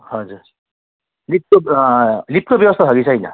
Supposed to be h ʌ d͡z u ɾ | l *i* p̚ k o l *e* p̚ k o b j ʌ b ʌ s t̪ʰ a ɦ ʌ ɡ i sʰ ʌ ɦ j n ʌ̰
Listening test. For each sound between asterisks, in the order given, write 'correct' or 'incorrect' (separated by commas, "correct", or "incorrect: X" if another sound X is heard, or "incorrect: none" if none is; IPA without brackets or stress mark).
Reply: correct, incorrect: i